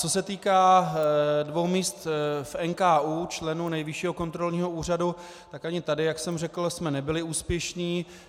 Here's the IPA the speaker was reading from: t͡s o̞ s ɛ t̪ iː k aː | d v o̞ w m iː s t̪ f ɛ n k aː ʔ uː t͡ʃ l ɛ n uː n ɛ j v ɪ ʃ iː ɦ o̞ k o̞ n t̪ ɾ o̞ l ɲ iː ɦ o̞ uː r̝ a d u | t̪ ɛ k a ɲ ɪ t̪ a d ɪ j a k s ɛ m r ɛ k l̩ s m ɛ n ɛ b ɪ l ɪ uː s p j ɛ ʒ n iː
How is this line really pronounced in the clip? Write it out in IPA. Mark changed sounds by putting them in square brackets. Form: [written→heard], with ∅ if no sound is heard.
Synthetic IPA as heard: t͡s o̞ s ɛ t̪ iː k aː | d v o̞ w m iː s t̪ f ɛ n k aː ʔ uː t͡ʃ l ɛ n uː n ɛ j v ɪ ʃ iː ɦ o̞ k o̞ n t̪ ɾ o̞ l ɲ iː ɦ o̞ uː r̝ a d u | t̪ [ɛ→a] k a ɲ ɪ t̪ a d ɪ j a k s ɛ m r ɛ k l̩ s m ɛ n ɛ b ɪ l ɪ uː s p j ɛ [ʒ→ʃ] n iː